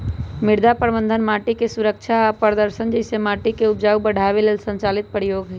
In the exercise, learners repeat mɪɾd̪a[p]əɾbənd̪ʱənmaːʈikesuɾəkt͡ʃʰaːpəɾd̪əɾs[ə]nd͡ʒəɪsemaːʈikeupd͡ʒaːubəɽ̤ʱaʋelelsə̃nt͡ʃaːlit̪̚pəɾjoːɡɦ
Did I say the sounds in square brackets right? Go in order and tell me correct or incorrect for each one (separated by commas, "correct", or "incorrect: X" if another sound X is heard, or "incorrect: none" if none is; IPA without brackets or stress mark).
correct, correct